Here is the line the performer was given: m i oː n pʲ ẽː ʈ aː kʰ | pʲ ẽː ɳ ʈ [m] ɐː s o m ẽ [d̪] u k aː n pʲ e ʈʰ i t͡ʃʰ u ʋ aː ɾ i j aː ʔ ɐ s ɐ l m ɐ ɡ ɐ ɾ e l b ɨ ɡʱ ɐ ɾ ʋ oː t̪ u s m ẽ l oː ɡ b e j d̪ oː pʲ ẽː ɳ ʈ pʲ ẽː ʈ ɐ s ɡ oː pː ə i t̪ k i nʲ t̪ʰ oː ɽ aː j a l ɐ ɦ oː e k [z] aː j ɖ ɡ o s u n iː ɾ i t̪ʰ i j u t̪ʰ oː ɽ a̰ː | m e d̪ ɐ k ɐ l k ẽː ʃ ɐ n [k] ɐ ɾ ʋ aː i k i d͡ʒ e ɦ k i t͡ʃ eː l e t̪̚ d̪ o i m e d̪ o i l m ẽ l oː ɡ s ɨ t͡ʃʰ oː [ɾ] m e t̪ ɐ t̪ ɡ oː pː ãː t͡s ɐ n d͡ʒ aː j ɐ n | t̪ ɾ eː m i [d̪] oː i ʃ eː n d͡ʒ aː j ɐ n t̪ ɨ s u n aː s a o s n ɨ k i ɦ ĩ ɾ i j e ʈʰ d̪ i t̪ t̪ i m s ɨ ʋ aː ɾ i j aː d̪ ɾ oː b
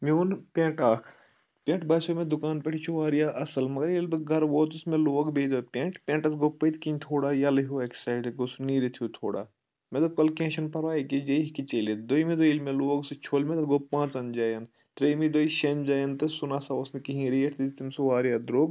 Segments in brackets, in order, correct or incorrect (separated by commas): incorrect, correct, incorrect, incorrect, incorrect, correct